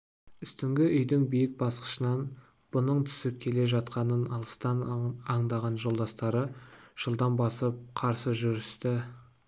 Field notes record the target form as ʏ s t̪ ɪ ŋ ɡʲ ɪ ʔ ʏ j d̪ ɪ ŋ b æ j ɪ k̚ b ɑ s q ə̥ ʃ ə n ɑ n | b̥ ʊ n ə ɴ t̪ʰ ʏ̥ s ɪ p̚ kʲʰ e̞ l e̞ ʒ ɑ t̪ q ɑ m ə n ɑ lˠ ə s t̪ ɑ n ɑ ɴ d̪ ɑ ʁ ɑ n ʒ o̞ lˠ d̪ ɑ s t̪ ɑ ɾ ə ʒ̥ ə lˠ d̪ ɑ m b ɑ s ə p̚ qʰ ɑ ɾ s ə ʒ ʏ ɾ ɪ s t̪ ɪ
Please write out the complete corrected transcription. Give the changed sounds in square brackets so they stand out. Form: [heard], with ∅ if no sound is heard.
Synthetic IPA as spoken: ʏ s t̪ ɪ ŋ ɡʲ ɪ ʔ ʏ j d̪ ɪ ŋ b [i] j ɪ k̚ b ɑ s q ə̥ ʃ ə n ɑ n | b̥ ʊ n ə ɴ t̪ʰ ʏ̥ s ɪ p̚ kʲʰ e̞ l e̞ ʒ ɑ t̪ q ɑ [n] ə n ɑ lˠ ə s t̪ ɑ n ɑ ɴ d̪ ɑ ʁ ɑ n ʒ o̞ lˠ d̪ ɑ s t̪ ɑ ɾ ə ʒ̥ ə lˠ d̪ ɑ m b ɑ s ə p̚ qʰ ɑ ɾ s ə ʒ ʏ ɾ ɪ s t̪ ɪ